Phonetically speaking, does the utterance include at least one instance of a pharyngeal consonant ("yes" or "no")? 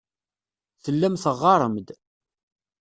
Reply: no